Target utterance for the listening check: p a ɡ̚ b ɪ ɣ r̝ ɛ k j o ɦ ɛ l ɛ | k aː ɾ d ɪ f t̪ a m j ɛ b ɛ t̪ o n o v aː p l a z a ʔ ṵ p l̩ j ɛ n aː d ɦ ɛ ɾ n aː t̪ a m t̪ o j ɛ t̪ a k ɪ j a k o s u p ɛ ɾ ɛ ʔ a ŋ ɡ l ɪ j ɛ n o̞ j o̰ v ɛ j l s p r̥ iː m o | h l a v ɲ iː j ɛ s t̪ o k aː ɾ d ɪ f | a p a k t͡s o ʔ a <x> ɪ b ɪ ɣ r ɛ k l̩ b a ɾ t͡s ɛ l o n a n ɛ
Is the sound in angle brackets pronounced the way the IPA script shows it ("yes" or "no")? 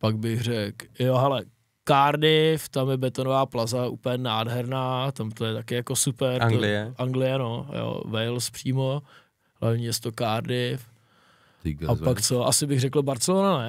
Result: no